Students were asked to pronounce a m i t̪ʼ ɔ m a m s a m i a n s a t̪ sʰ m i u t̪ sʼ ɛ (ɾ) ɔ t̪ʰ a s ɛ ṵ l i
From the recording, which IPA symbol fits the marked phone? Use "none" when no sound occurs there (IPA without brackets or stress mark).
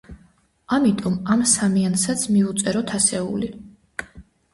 ɾ